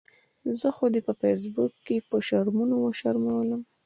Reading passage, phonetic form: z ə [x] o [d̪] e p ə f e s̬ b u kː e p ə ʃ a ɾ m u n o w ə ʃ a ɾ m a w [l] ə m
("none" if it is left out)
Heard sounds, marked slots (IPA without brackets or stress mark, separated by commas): x, d̪, l